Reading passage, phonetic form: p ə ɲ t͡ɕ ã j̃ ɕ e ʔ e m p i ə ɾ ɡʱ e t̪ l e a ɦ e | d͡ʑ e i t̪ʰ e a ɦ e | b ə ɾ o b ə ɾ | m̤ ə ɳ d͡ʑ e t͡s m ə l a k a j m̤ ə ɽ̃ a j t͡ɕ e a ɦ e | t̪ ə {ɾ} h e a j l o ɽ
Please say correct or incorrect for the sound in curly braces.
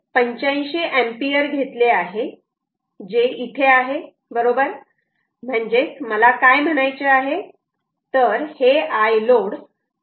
correct